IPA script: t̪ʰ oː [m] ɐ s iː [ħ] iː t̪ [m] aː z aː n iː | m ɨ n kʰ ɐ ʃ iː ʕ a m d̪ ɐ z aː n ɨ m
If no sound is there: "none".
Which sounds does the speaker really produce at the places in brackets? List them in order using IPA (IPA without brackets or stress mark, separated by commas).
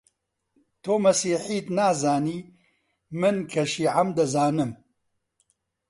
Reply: m, ħ, n